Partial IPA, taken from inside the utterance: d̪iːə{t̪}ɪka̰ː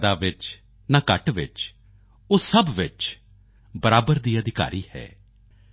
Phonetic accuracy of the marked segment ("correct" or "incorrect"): incorrect